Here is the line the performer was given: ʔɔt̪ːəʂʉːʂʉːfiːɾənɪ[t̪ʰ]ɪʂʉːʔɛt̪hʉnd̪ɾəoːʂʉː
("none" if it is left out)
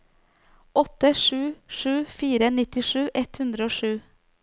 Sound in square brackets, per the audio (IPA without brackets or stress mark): t̪